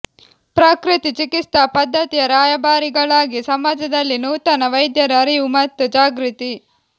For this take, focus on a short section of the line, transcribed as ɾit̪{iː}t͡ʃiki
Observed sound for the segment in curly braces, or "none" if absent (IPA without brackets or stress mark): i